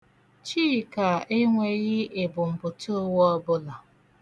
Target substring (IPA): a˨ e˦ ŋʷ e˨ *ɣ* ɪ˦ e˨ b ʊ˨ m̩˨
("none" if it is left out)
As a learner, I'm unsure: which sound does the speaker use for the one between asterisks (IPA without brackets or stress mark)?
ɣ